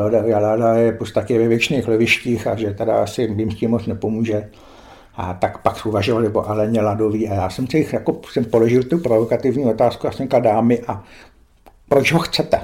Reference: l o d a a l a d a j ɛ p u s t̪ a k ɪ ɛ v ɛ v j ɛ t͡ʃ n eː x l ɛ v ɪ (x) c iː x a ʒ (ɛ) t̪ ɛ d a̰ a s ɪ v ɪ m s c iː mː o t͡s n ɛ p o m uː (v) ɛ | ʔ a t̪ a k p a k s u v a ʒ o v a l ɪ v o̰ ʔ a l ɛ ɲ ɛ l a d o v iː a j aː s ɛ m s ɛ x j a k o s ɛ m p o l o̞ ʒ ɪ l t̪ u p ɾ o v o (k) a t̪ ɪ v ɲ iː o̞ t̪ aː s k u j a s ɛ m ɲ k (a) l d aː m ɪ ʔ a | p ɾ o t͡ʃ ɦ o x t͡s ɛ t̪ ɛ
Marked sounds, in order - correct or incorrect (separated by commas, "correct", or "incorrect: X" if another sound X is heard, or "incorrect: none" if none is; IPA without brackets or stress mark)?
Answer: incorrect: ʃ, correct, incorrect: ʒ, correct, correct